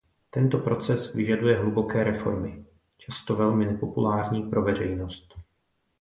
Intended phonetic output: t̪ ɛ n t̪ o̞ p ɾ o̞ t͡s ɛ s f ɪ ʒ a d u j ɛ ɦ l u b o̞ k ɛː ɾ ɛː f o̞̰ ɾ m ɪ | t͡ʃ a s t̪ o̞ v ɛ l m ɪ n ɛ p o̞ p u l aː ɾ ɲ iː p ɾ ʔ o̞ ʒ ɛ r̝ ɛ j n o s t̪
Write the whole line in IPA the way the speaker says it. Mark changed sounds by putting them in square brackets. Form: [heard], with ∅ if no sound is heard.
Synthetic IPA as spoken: t̪ ɛ n t̪ o̞ p ɾ o̞ t͡s ɛ s [v] ɪ ʒ a d u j ɛ ɦ l u b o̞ k ɛː ɾ [ɛ] f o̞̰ ɾ m ɪ | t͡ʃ a s t̪ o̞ v ɛ l m ɪ n ɛ p o̞ p u l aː ɾ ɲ iː p ɾ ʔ o̞ [v] ɛ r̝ ɛ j n o s t̪